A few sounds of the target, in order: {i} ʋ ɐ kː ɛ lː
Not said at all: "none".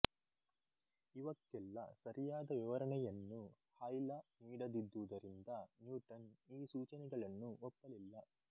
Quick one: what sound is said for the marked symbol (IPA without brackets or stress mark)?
i